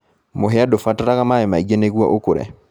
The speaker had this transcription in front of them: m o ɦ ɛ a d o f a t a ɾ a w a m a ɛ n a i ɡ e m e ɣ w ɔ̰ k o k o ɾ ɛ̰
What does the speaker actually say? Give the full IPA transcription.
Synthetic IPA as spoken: m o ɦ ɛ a d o f a t a ɾ a ɣ a m a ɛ m a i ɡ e n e ɣ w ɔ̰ ʔ o k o ɾ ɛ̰